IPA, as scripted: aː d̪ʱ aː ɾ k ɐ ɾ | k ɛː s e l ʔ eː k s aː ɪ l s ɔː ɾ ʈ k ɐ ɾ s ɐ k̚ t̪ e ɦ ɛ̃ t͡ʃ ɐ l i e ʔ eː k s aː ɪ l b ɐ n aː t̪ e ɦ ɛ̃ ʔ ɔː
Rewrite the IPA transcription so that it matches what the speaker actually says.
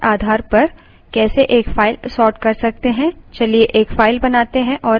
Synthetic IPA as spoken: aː d̪ʱ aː ɾ p ɐ ɾ | k ɛː s e ʔ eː k f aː ɪ l s ɔː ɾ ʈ k ɐ ɾ s ɐ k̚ t̪ e ɦ ɛ̃ t͡ʃ ɐ l i e ʔ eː k f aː ɪ l b ɐ n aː t̪ e ɦ ɛ̃ ʔ ɔː